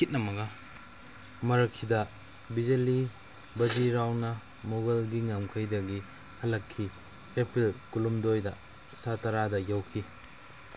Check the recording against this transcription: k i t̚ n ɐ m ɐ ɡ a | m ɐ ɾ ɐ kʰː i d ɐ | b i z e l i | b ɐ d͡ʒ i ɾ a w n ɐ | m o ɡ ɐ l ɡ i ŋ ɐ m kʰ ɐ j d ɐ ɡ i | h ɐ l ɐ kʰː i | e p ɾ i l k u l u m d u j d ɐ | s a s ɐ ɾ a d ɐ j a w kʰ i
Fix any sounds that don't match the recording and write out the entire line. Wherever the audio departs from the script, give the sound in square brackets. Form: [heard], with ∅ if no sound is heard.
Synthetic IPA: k i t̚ n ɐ m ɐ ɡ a | m ɐ ɾ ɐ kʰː i d ɐ | b i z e l i | b ɐ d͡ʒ i ɾ a w n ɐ | m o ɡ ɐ l ɡ i ŋ [a] m kʰ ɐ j d ɐ ɡ i | h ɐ l ɐ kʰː i | e p ɾ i l k u l u m d [o] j d ɐ | s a [t] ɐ ɾ a d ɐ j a w kʰ i